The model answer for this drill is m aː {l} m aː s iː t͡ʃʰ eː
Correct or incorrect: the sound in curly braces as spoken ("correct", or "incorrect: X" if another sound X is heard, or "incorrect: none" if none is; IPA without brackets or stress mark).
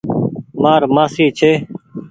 incorrect: ɾ